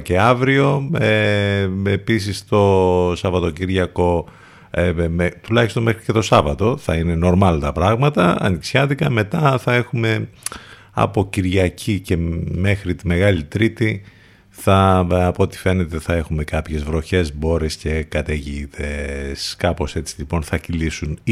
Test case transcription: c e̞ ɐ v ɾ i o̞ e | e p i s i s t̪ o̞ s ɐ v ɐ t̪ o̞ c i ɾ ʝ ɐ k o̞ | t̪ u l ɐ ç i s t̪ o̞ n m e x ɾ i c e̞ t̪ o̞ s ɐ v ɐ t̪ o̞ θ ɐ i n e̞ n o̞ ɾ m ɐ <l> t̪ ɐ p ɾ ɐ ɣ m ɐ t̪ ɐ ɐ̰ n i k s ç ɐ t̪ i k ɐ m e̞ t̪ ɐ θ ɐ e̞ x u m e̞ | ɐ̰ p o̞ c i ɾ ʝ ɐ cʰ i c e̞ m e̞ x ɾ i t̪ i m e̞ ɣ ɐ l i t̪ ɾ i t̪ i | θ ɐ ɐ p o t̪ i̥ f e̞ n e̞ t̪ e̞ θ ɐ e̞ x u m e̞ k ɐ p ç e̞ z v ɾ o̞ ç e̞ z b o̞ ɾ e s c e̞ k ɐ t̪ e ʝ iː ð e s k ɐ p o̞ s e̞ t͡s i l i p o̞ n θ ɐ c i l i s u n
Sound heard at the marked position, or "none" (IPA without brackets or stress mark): l